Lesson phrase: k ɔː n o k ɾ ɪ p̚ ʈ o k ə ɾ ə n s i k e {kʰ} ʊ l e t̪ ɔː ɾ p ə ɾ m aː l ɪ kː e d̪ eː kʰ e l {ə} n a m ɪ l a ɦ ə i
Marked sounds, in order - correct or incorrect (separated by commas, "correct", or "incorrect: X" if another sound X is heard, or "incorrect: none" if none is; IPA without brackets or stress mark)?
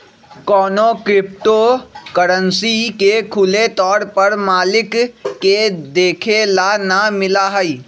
correct, incorrect: a